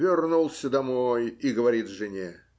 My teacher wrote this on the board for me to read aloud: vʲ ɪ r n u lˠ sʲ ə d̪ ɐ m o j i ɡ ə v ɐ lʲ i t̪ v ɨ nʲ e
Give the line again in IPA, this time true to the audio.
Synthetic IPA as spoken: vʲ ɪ r n u lˠ sʲ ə d̪ ɐ m o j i ɡ ə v ɐ ɾʲ i t̪ ʐ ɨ nʲ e